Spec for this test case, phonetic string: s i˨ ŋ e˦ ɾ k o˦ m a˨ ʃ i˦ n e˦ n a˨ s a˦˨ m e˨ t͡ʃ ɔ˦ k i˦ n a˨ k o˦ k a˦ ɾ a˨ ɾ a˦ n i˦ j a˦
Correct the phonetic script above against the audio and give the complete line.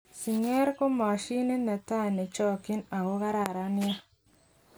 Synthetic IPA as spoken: s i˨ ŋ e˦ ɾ k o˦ m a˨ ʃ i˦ n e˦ n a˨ t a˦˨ n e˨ t͡ʃ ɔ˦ k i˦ n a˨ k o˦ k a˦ ɾ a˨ ɾ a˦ n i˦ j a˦